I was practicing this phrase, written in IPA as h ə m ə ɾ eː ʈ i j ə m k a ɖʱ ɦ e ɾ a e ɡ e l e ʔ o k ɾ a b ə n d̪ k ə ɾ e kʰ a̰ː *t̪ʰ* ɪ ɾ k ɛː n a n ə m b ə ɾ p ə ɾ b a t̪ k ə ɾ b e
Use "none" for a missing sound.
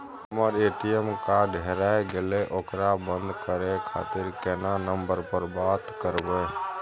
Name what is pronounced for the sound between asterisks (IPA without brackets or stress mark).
t̪